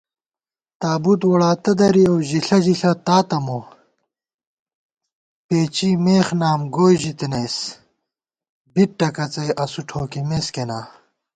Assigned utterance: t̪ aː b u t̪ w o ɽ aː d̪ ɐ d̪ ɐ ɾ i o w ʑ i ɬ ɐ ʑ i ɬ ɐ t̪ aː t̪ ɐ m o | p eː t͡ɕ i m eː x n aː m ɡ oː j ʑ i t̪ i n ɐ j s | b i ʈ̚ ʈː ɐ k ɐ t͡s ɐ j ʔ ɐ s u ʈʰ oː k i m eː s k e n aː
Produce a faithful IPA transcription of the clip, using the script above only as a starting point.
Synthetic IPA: t̪ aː b u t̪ w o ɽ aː t̪ ɐ d̪ ɐ ɾ i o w ʑ i ɬ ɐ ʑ i ɬ ɐ t̪ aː t̪ ɐ m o | p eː t͡ɕ i m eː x n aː m ɡ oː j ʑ i t̪ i n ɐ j s | b i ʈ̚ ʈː ɐ k ɐ t͡s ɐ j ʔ ɐ s u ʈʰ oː k i m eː s k e n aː